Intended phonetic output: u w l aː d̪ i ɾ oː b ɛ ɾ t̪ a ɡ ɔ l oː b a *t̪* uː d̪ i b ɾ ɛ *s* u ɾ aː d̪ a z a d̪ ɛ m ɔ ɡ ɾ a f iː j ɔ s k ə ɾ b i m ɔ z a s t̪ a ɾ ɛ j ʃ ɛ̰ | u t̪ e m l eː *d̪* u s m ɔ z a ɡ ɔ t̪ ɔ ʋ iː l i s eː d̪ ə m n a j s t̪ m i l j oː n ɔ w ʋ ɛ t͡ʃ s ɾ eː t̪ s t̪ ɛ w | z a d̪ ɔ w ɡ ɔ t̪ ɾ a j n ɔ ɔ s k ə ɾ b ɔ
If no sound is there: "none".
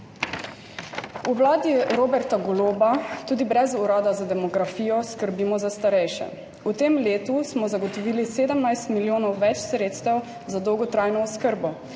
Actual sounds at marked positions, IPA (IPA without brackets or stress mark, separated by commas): t̪, z, t̪